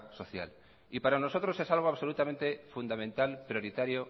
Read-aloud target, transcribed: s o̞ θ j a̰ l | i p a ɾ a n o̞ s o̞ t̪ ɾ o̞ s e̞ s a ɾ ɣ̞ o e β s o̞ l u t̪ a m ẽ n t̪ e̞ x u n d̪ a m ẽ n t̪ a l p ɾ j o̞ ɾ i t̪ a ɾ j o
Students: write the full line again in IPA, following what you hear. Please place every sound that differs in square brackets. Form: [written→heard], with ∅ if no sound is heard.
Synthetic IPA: s o̞ θ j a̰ l | i p a ɾ a n o̞ s o̞ t̪ ɾ o̞ s e̞ s a [ɾ→l] ɣ̞ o [e→a] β s o̞ l u t̪ a m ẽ n t̪ e̞ [x→f] u n d̪ a m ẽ n t̪ a l p ɾ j o̞ ɾ i t̪ a ɾ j o